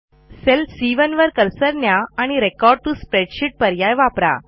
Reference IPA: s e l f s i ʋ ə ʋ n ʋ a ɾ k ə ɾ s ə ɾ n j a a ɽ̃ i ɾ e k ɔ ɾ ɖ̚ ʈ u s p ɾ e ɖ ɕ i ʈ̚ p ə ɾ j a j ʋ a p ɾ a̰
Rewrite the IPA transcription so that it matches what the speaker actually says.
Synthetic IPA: s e l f s i ʋ ə n ʋ ə ɾ k ə ɾ s ə ɾ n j a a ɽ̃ i ɾ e k ɔ ɾ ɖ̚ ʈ u s p ɾ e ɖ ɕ i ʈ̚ p ə ɾ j a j ʋ a p ɾ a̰